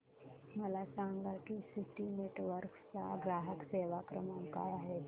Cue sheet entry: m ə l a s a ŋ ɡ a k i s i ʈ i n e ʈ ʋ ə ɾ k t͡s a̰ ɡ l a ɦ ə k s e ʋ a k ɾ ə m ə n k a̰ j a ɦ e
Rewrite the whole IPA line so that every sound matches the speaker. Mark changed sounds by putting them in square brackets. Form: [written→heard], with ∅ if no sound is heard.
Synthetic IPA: m ə l a s a ŋ ɡ a k i s i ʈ i n e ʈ ʋ ə ɾ k t͡s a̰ ɡ [l→ɾ] a ɦ ə k s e ʋ a k ɾ ə m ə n k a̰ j a ɦ e